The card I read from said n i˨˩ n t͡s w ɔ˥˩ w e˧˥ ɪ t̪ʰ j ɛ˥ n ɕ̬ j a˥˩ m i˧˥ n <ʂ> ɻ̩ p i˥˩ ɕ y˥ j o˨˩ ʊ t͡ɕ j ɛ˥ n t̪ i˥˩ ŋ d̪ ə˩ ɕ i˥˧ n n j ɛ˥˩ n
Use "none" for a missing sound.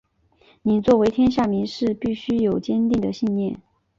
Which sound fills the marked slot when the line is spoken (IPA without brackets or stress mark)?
ʂ